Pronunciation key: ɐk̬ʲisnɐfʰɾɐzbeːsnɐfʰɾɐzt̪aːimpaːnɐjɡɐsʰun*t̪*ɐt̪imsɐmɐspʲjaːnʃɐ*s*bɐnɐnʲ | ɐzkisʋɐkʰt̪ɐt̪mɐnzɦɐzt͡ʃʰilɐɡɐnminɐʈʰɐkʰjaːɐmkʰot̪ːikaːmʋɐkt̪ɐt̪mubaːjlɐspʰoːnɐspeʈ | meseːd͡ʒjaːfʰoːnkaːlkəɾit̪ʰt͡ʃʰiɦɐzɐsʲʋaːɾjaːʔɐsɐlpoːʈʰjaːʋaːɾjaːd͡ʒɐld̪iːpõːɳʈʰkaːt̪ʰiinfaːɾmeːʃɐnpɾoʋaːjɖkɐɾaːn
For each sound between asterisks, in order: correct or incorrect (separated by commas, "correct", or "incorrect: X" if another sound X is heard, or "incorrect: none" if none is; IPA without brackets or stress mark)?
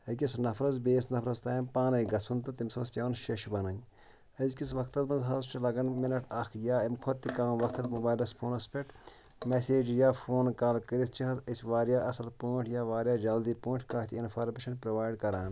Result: correct, incorrect: ʃ